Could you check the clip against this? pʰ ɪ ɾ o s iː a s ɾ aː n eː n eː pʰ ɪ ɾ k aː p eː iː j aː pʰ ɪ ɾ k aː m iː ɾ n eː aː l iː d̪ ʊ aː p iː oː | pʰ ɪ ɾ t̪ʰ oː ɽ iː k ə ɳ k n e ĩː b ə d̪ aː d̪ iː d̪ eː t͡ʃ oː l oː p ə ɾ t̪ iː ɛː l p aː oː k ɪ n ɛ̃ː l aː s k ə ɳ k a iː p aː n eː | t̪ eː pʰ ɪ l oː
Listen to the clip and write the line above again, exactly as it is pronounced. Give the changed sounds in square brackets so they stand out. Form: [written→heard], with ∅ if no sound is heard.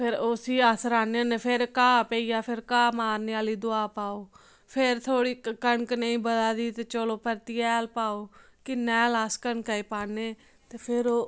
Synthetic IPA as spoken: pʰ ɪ ɾ o s iː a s ɾ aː n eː n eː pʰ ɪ ɾ k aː p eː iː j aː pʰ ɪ ɾ k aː m [iː→aː] ɾ n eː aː l iː d̪ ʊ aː p [iː→aː] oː | pʰ ɪ ɾ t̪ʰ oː ɽ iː k ə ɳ k n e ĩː b ə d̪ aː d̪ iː [d̪→t̪] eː t͡ʃ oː l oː p ə ɾ t̪ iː ɛː l p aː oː k ɪ n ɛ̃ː l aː s k ə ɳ k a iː p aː n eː | t̪ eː pʰ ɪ [l→ɾ] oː